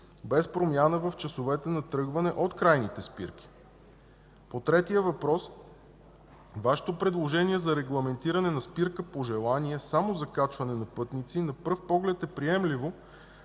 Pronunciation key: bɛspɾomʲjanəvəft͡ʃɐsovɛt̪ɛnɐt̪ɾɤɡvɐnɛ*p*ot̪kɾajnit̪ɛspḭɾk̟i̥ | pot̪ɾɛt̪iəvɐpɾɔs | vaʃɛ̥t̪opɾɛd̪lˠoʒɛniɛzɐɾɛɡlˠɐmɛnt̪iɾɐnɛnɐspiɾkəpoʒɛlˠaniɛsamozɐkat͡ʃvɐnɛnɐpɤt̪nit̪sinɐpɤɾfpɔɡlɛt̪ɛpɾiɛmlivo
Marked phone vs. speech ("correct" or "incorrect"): incorrect